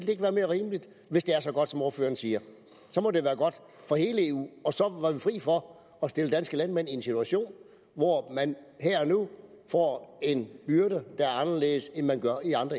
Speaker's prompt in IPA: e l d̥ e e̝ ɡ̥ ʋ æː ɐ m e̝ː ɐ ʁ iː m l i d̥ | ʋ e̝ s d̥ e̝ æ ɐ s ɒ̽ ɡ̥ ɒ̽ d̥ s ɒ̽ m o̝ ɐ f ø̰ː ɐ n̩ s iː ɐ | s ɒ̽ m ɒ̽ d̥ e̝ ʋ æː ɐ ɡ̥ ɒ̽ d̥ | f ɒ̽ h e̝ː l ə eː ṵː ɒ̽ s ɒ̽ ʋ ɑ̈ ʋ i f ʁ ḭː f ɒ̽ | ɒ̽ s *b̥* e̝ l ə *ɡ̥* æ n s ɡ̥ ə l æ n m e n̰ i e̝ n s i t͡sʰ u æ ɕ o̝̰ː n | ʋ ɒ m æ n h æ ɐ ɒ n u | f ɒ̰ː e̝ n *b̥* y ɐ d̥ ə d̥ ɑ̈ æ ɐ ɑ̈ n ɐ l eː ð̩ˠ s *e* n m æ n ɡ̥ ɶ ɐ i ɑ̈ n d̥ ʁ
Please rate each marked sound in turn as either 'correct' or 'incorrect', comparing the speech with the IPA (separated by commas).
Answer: incorrect, incorrect, correct, correct